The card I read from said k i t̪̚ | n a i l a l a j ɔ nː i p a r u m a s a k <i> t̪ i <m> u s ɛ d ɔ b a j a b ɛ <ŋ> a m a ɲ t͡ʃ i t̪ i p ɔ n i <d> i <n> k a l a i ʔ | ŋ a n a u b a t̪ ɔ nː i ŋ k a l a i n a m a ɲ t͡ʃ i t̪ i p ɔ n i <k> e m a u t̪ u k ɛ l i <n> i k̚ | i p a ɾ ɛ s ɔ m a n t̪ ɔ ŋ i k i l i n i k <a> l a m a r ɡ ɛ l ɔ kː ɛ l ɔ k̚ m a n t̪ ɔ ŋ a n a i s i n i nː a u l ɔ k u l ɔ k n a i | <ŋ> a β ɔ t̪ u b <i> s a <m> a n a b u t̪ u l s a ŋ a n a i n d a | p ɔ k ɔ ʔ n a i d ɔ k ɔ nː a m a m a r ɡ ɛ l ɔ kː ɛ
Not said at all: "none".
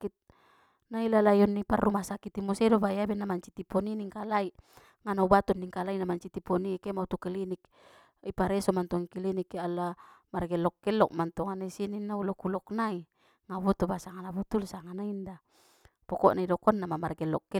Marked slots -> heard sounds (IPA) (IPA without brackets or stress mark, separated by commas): i, m, n, n, ŋ, k, n, a, ŋ, a, ŋ